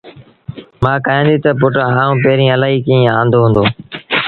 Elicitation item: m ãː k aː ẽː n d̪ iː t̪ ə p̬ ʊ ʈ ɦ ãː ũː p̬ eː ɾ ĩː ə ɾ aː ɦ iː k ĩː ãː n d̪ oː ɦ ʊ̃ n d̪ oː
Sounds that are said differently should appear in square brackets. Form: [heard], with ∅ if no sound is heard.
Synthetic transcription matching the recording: m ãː k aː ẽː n d̪ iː t̪ ə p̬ ʊ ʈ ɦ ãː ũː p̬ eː ɾ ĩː ə [l] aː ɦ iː k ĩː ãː n d̪ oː ɦ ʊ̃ n d̪ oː